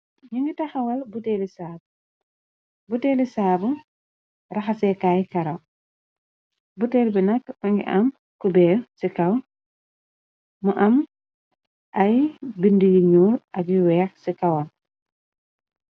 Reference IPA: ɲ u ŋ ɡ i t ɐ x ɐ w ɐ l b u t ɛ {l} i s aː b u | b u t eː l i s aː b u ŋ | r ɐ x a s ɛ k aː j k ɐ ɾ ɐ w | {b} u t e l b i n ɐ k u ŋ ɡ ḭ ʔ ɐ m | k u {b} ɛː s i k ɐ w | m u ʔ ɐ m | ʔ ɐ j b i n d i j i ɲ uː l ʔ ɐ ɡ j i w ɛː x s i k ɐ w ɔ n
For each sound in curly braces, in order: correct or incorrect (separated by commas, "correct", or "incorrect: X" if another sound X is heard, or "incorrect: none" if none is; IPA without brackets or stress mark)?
correct, correct, correct